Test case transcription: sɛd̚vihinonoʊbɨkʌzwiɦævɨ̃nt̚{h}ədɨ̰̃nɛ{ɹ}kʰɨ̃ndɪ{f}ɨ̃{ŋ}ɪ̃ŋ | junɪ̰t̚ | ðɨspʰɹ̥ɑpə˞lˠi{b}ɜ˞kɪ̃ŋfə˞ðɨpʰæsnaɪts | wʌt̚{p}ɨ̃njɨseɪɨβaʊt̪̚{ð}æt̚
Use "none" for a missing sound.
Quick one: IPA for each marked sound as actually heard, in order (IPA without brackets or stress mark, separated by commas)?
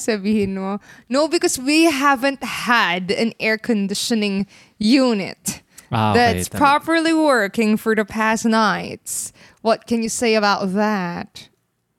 h, ɹ, ʃ, n, w, k, ð